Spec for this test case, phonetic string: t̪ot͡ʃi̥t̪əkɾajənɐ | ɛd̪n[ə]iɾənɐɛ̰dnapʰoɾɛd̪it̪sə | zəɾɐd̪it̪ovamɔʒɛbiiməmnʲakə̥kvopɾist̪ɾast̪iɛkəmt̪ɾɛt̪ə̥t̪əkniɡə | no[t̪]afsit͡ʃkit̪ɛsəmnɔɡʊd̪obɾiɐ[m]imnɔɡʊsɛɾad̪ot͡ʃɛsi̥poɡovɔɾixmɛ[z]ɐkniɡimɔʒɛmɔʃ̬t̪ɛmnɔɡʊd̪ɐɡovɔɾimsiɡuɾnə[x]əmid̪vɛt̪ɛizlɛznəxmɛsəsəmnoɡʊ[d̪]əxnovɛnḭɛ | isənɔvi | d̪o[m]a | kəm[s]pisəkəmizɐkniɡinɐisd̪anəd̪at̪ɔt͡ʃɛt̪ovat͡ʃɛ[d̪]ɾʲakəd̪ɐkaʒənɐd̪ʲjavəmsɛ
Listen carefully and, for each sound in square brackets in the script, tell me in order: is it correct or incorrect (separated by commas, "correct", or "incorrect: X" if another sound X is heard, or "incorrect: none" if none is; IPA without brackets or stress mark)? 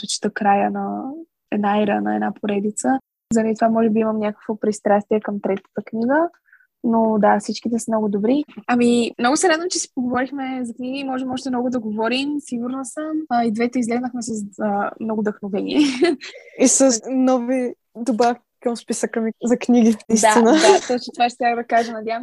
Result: incorrect: a, incorrect: d̪, correct, correct, incorrect: s, correct, incorrect: b, correct, incorrect: t̪